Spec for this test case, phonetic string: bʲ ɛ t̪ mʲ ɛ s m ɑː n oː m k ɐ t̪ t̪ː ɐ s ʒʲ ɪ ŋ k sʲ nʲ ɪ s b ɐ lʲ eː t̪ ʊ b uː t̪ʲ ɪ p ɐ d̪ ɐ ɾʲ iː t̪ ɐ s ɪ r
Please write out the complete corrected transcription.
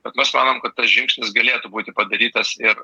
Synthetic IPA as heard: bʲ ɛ t̪ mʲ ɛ s m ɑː n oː m k ɐ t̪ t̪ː ɐ s ʒʲ ɪ ŋ k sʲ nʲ ɪ s ɡ ɐ lʲ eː t̪ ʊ b uː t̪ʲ ɪ p ɐ d̪ ɐ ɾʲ iː t̪ ɐ s ɪ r